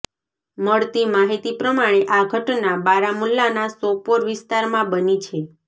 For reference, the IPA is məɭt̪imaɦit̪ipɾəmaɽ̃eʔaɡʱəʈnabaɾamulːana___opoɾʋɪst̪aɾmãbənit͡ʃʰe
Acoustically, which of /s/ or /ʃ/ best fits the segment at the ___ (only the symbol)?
s